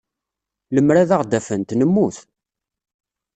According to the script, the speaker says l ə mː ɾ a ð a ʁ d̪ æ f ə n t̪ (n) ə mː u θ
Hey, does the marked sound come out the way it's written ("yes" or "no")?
yes